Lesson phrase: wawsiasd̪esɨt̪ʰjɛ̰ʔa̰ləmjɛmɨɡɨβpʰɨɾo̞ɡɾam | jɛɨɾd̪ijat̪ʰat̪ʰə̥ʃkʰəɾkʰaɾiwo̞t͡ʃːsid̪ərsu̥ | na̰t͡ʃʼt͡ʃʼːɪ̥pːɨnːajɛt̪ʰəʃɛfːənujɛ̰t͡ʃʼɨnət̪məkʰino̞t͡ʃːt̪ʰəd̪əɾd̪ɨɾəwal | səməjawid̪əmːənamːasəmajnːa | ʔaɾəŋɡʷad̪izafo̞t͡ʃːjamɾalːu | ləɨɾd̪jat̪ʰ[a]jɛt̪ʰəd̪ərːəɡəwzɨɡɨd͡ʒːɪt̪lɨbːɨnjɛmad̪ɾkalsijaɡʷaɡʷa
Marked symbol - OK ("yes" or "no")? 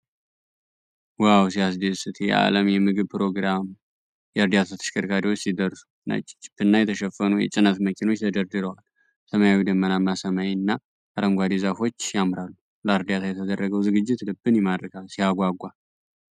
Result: yes